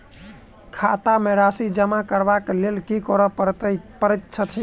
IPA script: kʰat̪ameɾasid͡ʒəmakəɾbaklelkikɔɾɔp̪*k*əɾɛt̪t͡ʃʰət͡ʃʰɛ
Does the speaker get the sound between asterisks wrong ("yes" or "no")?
yes